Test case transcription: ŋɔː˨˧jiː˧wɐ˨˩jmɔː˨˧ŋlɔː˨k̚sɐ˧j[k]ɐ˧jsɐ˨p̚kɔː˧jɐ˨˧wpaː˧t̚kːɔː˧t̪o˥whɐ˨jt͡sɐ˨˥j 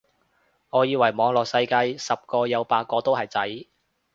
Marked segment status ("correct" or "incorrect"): correct